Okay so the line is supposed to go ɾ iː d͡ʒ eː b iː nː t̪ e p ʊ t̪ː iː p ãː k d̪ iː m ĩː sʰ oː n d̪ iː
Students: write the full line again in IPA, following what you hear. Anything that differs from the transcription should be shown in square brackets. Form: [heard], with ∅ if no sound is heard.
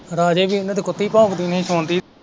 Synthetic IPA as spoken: ɾ [aː] d͡ʒ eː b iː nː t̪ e [k] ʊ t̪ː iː p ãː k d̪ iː [n] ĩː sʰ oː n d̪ iː